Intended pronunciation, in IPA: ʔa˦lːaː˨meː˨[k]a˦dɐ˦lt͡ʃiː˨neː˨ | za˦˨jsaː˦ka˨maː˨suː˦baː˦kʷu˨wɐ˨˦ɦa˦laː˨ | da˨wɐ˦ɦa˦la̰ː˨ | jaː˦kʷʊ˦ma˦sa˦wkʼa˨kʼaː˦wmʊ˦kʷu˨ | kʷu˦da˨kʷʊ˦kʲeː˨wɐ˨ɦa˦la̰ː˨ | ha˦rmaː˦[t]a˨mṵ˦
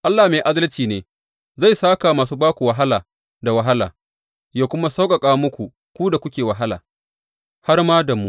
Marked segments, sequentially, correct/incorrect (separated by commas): incorrect, incorrect